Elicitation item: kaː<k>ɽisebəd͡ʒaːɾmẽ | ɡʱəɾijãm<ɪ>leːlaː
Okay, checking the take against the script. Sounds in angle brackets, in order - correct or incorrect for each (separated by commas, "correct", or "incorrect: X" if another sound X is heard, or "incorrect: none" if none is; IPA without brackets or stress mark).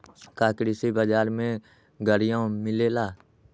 correct, correct